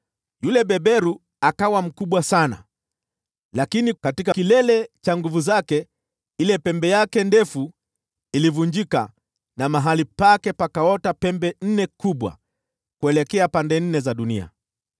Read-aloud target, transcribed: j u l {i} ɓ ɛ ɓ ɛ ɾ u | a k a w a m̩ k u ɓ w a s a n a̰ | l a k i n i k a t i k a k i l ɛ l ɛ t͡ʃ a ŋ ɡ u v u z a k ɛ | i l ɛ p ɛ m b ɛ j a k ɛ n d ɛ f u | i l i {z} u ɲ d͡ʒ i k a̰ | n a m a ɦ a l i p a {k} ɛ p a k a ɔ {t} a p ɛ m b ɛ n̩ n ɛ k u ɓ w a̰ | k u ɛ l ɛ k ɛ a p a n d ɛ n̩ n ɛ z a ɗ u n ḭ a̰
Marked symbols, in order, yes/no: no, no, yes, yes

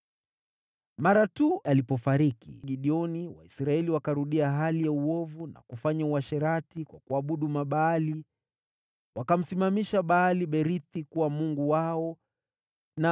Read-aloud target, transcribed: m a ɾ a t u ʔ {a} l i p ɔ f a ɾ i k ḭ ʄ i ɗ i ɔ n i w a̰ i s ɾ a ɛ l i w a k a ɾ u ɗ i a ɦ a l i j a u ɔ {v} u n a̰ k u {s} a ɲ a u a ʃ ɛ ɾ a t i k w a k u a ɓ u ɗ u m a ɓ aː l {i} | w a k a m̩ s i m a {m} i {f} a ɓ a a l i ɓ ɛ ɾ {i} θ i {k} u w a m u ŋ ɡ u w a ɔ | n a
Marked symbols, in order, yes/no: yes, yes, no, yes, yes, no, yes, yes

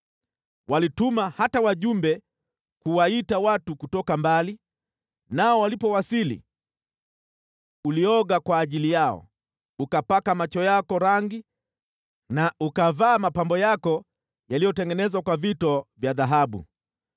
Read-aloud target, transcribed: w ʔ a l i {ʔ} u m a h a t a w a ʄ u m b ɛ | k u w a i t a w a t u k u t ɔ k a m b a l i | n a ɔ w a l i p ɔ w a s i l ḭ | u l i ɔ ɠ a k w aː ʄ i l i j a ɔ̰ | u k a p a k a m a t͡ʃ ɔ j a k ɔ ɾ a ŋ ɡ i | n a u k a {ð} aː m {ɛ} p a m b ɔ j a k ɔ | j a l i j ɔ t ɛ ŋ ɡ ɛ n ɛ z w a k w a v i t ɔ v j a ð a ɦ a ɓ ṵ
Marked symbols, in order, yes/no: no, no, no

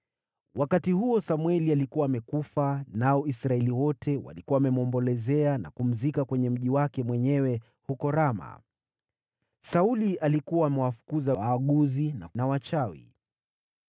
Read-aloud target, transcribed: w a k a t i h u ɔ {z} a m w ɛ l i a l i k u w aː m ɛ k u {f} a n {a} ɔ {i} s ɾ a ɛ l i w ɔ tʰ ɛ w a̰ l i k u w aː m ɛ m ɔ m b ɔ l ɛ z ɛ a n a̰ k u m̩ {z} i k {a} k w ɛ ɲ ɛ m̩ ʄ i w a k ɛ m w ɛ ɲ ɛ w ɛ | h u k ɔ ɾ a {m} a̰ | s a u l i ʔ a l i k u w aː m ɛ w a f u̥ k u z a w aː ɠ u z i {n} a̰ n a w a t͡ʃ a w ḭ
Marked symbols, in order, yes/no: no, yes, yes, yes, yes, yes, yes, yes

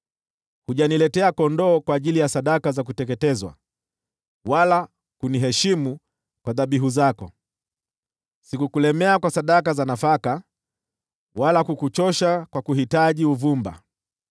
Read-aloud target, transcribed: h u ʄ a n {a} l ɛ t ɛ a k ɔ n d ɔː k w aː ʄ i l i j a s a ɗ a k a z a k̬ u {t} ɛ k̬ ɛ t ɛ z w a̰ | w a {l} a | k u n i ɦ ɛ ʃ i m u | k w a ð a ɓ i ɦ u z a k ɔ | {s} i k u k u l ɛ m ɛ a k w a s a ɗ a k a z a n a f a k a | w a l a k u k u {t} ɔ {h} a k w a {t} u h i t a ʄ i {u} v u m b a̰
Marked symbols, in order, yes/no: no, yes, yes, yes, no, no, no, yes

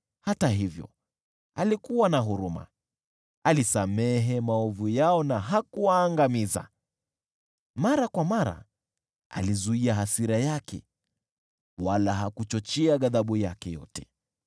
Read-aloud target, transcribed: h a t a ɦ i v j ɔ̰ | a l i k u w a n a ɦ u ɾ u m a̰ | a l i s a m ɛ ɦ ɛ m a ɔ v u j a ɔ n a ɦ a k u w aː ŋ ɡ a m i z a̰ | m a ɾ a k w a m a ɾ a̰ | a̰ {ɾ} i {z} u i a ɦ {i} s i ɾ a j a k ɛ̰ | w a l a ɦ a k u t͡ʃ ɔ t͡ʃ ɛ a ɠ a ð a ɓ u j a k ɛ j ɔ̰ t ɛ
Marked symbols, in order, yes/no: no, yes, no

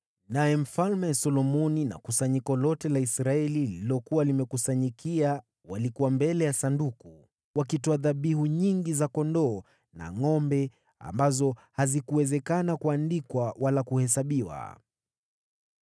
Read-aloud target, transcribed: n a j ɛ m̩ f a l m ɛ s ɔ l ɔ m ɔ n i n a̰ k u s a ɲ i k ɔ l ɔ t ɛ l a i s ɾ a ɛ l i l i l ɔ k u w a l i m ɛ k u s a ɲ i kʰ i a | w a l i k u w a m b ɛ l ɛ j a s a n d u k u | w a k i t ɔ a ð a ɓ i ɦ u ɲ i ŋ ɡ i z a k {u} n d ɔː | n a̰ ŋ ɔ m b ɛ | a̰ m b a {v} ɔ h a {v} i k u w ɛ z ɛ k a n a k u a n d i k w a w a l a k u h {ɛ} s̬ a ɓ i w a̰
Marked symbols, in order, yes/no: no, no, no, yes

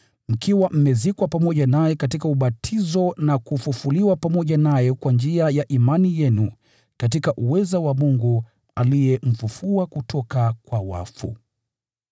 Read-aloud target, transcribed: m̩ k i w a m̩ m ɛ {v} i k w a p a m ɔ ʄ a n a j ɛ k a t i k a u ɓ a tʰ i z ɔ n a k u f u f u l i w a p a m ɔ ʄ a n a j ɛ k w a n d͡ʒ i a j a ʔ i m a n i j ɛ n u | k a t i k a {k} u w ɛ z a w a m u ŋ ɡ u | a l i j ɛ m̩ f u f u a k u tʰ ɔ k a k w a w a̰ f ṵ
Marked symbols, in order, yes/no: no, no

